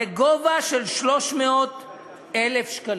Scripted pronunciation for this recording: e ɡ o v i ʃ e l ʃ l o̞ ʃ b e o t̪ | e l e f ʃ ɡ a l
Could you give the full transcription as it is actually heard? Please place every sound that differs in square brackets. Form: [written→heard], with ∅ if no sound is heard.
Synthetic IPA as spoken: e ɡ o v [i→a] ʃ e l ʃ l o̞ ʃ [b→m] e o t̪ | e l e f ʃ [ɡ→k] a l